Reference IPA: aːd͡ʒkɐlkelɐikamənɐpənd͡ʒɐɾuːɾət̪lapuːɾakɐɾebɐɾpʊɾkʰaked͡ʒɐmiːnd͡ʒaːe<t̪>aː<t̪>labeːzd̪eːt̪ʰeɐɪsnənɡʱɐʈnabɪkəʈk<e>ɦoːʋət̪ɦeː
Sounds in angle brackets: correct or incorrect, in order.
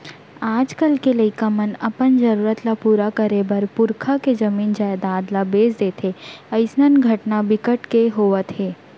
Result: incorrect: d̪, incorrect: d̪, correct

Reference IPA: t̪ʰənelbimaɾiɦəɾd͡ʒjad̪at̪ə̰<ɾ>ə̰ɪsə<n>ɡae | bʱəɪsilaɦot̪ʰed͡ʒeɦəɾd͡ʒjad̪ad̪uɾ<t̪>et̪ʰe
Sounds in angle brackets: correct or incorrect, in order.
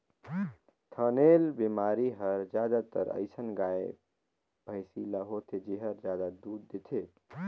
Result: correct, correct, incorrect: d̪

